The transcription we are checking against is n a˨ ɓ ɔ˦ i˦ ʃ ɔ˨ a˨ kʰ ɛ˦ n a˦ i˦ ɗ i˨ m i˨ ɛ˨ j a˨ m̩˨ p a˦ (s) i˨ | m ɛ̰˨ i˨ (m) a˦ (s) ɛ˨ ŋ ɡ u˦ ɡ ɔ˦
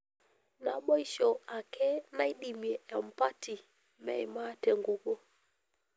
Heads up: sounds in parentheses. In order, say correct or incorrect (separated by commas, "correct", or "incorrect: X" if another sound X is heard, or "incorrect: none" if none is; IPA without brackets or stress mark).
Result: incorrect: t, correct, incorrect: t